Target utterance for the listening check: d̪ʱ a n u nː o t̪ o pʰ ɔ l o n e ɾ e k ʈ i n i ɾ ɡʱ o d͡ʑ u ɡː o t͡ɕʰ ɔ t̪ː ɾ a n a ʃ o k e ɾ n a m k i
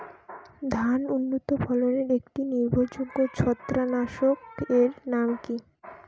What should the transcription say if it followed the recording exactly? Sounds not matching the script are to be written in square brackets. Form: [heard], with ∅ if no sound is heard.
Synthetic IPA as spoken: d̪ʱ a n u nː o t̪ o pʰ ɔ l o n e ɾ e k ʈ i n i ɾ [bʱ] o d͡ʑ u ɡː o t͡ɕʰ ɔ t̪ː ɾ a n a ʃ o k e ɾ n a m k i